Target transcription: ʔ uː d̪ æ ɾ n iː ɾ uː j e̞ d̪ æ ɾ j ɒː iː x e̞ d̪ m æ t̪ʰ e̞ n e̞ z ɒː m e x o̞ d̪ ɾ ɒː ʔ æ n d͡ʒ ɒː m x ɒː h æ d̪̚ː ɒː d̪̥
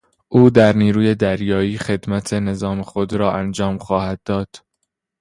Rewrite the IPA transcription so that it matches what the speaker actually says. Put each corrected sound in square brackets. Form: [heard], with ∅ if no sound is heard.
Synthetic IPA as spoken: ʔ uː d̪ æ ɾ n iː ɾ uː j e̞ d̪ æ ɾ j ɒː iː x e̞ d̪ m æ t̪ʰ e̞ n e̞ z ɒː m e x o̞ d̪ ɾ ɒː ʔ æ n d͡ʒ ɒː m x ɒː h æ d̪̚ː ɒː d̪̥